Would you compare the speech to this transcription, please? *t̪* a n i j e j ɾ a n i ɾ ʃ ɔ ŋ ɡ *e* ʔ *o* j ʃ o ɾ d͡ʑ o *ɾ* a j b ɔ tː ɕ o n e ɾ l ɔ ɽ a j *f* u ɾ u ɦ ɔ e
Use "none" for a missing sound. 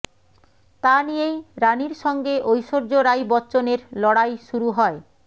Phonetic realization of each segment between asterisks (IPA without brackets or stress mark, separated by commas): t̪, e, o, ɾ, ʃ